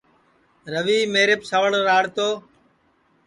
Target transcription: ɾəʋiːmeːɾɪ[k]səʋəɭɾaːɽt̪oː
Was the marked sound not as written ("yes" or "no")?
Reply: yes